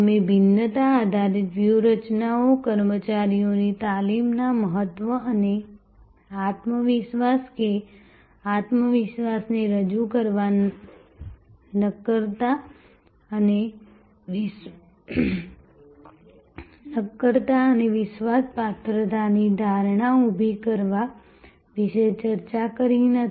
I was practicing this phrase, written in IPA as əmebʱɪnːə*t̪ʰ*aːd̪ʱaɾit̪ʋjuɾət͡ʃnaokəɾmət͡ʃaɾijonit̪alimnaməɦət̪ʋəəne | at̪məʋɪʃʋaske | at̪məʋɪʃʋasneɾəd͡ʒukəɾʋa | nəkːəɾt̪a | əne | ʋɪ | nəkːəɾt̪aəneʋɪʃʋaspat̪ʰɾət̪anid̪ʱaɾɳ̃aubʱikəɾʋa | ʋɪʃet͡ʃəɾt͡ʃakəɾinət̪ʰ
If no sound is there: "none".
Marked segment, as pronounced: t̪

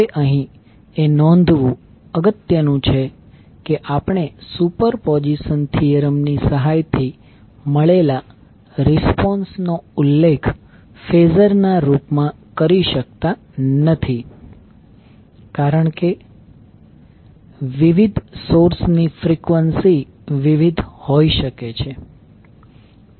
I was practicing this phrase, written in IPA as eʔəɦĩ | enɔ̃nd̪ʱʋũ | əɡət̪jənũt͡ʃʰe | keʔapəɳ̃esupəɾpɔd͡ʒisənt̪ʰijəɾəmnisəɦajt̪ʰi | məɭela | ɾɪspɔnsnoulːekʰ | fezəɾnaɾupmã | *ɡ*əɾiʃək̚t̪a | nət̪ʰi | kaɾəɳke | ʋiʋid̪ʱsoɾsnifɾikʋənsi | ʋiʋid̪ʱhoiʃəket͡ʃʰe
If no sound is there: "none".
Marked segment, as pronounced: k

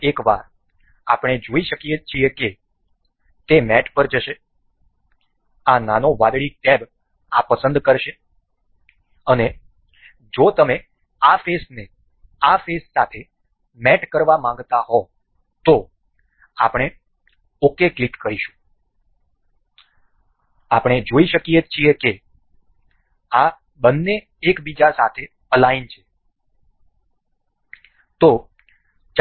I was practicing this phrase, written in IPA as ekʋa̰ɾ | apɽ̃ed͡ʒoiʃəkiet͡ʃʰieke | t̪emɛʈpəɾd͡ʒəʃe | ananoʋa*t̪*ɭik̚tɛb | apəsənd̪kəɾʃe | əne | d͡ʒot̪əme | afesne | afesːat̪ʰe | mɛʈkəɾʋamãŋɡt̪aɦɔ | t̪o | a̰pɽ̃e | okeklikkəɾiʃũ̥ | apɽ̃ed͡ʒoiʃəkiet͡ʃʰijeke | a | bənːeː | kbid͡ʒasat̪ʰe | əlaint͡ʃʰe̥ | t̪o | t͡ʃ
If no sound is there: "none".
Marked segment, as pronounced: d̪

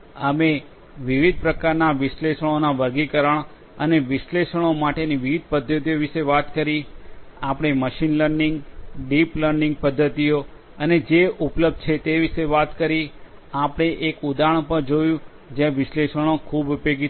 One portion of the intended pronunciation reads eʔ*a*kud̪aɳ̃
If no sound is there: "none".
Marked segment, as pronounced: e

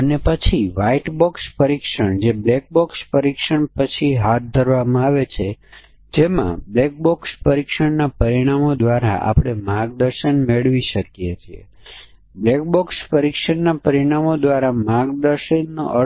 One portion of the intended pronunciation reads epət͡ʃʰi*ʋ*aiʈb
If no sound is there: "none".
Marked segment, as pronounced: ʋ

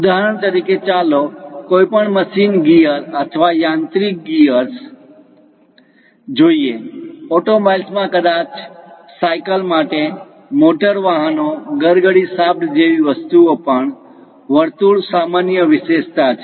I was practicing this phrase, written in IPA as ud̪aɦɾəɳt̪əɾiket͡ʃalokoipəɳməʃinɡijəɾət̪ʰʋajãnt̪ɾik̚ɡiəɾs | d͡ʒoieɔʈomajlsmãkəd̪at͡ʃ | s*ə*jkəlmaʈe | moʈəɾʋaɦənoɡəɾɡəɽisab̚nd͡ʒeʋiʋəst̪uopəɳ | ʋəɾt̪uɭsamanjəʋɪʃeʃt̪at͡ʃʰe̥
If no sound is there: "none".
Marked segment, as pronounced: a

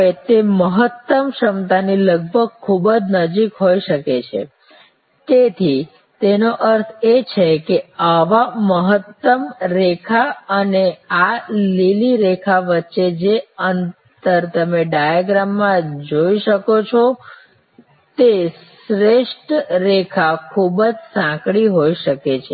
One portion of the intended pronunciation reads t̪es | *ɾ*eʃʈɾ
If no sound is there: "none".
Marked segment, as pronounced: ɾ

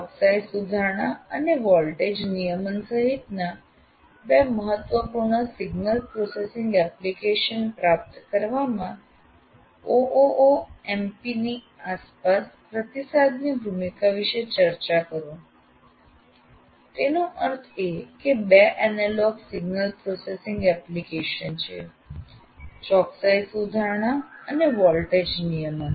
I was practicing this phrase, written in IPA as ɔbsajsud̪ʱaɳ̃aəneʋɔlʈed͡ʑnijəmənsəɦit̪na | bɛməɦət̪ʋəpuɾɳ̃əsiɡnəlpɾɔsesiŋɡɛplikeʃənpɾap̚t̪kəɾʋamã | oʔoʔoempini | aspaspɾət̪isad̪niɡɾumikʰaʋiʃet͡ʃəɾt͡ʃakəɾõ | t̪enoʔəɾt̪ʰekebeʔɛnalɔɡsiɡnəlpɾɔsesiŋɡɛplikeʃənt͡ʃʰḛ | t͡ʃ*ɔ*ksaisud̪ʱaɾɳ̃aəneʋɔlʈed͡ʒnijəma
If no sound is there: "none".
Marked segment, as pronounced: ɔ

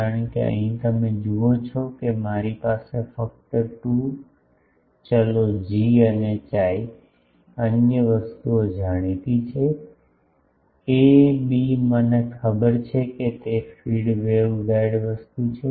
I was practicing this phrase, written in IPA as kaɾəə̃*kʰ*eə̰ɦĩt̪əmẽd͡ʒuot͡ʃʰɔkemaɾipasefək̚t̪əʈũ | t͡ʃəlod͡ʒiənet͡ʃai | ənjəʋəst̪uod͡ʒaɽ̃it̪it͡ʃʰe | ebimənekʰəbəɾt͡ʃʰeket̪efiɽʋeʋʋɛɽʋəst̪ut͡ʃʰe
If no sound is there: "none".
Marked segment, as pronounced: k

